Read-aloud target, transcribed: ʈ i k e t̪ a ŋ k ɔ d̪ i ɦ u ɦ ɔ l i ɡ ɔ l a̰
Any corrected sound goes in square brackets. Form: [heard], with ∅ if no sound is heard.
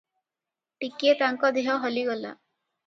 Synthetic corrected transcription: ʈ i k e t̪ a ŋ k ɔ d̪ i ɦ [ɔ] ɦ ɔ l i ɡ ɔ l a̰